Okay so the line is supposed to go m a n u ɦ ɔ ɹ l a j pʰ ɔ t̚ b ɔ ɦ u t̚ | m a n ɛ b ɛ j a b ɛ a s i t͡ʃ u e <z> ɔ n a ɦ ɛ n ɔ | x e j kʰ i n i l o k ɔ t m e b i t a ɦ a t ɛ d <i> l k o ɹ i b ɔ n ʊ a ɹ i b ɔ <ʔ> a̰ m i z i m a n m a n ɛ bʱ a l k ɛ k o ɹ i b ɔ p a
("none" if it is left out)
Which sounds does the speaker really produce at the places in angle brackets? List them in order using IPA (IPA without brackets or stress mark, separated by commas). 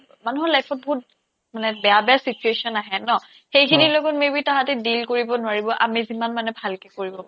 s, i, ʔ